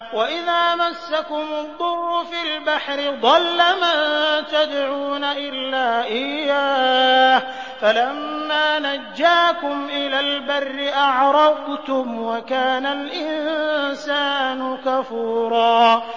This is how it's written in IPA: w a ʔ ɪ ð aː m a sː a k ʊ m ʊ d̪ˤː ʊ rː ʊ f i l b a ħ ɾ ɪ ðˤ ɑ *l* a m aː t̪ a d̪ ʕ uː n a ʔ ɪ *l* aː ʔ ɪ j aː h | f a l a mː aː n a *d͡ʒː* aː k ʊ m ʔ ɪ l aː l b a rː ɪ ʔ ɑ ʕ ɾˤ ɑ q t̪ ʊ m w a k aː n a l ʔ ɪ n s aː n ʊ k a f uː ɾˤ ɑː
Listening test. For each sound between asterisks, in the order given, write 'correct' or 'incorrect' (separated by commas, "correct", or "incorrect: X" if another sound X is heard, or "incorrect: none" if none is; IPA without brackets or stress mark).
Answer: incorrect: lː, incorrect: lː, correct